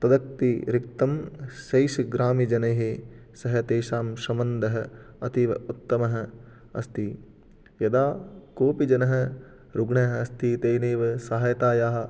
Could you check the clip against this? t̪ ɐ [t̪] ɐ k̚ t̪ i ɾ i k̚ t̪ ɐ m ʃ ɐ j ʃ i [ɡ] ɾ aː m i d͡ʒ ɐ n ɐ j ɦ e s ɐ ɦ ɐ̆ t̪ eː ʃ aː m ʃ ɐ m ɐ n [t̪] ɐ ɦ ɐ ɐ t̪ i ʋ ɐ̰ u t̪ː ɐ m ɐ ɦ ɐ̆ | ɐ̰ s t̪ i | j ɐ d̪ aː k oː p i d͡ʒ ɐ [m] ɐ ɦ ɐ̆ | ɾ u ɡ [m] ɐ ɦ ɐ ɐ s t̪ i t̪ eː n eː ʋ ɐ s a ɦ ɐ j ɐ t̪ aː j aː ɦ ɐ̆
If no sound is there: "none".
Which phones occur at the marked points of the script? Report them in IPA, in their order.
d̪, ɡ, d̪, n, ɳ

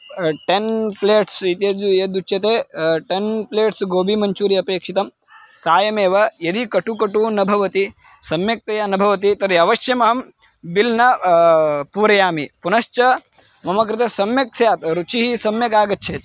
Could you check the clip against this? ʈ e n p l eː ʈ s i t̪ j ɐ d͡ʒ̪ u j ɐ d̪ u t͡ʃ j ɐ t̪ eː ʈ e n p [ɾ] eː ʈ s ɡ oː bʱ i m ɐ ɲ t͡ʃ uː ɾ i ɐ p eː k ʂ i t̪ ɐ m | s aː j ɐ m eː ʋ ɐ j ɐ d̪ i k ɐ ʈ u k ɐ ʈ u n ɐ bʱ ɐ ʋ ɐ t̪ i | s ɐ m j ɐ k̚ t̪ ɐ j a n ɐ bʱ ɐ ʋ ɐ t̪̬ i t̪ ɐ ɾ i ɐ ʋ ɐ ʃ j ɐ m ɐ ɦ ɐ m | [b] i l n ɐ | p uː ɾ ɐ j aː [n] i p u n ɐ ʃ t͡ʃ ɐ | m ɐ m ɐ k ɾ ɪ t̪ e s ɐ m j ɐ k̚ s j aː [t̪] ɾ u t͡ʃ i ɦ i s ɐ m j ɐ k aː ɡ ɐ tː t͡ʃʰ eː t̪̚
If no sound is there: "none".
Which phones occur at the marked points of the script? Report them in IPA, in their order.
l, b, m, t̪

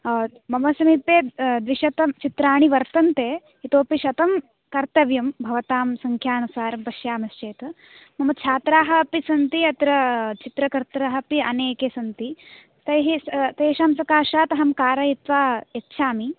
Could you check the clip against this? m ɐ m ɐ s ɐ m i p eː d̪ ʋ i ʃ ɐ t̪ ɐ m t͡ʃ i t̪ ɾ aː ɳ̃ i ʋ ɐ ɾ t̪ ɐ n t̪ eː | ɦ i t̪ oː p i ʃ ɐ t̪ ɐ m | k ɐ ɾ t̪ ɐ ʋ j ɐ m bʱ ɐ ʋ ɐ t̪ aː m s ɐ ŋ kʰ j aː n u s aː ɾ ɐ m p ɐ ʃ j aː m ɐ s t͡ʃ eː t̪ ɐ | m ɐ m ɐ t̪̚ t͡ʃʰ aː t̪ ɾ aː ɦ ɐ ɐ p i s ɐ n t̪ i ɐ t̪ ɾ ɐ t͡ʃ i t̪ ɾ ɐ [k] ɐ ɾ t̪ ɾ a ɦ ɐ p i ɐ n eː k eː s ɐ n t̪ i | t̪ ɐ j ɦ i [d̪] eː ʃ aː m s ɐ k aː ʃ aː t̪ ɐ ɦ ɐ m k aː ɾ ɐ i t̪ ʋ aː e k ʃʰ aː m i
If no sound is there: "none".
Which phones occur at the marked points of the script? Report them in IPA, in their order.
k, t̪

